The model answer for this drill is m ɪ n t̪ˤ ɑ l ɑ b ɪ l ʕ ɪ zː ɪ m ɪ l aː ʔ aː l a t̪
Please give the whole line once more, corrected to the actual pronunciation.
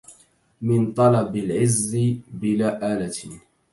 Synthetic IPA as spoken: m ɪ n t̪ˤ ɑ l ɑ b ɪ l ʕ ɪ zː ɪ b ɪ l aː ʔ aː l a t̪